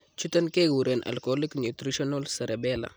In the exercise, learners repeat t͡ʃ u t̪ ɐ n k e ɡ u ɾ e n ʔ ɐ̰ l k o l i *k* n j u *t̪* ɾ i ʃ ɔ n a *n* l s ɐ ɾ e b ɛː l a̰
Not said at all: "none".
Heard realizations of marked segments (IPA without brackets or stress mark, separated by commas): k, t̪, none